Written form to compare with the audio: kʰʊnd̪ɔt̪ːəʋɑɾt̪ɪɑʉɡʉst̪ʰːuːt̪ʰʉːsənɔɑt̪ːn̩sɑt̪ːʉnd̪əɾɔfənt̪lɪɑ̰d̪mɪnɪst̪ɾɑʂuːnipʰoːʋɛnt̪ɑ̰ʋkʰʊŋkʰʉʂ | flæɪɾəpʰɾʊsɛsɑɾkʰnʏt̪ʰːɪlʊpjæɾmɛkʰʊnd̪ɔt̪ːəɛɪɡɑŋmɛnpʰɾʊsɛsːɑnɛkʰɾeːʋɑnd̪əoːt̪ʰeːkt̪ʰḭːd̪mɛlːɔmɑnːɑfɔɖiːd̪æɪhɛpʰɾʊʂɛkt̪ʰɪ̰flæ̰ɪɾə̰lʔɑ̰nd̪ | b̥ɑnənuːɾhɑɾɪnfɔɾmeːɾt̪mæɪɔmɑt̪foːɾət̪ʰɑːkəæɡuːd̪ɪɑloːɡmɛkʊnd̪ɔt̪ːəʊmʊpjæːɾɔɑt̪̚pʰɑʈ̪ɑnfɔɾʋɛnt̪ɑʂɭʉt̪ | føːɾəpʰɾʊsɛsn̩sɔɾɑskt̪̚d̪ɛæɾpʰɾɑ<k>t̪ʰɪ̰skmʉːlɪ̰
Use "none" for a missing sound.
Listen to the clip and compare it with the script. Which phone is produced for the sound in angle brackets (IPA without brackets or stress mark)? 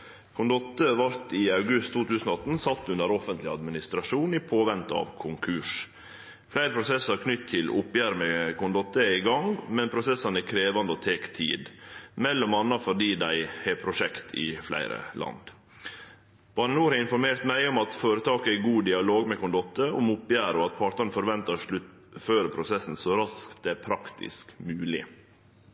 k